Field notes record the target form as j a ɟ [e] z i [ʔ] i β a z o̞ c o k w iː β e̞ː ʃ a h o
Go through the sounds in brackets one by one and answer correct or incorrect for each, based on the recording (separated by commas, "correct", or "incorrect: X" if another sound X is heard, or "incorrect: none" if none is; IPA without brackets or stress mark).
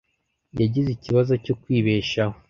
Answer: incorrect: i, incorrect: c